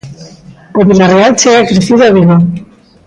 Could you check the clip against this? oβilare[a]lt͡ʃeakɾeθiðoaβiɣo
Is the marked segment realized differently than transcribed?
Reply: no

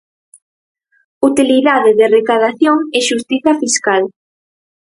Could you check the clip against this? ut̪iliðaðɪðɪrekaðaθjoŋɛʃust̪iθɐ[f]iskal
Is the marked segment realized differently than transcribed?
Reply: no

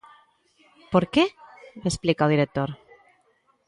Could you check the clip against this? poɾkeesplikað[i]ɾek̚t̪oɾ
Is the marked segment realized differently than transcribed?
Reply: no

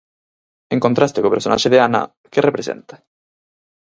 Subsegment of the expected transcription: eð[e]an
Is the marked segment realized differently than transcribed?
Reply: no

